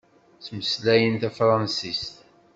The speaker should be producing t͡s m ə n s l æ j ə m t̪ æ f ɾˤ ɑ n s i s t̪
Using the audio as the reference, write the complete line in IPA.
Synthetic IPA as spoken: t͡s m ə s l æ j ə n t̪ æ f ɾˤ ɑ n s i s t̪